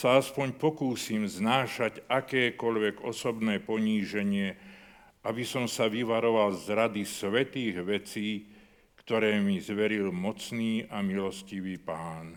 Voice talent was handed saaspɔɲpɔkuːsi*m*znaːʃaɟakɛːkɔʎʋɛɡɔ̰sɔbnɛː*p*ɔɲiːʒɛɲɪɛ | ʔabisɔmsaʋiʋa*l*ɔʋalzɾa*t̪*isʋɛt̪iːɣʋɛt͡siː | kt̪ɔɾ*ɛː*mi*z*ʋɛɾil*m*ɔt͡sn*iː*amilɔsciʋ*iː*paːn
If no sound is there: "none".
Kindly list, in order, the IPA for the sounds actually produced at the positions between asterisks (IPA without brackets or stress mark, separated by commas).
m, p, ɾ, d̪, ɛː, z, m, iː, iː